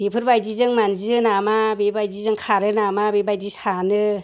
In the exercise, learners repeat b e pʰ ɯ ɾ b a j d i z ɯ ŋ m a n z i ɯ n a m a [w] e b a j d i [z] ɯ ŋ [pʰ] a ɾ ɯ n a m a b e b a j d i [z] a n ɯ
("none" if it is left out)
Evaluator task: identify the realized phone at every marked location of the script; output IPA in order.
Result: b, z, kʰ, s

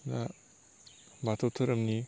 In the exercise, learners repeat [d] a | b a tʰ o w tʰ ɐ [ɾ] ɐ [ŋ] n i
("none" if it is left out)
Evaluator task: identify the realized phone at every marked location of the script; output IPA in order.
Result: n, ɾ, m

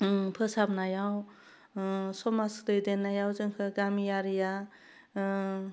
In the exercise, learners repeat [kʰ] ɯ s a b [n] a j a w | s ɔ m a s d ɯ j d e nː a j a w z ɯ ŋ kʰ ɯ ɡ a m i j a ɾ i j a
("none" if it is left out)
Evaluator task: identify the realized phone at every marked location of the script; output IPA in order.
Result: pʰ, n

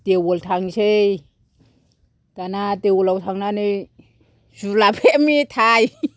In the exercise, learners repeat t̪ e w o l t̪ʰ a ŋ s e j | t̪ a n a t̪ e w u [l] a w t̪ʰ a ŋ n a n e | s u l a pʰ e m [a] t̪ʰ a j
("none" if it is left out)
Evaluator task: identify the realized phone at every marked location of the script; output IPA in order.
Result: l, i

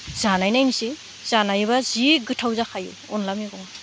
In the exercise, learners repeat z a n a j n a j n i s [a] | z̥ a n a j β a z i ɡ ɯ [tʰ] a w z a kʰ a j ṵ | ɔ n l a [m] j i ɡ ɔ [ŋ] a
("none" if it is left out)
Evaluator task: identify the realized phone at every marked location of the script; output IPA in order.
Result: i, tʰ, m, ŋ

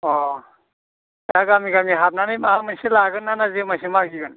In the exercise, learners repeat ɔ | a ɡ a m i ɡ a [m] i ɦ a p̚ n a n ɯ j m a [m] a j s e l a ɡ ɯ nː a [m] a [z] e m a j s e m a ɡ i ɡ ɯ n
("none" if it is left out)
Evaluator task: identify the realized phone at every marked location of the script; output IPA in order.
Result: m, m, n, z

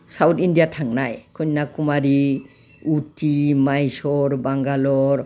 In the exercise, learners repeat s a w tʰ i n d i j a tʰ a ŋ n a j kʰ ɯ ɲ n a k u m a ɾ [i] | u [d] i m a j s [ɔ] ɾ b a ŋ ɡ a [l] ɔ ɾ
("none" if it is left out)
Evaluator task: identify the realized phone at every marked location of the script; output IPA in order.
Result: i, t, ɔ, l

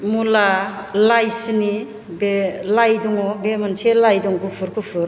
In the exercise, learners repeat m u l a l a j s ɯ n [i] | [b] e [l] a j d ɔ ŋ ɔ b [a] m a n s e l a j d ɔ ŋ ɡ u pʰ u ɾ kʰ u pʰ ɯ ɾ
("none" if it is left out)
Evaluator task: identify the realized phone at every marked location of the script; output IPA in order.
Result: i, b, l, e

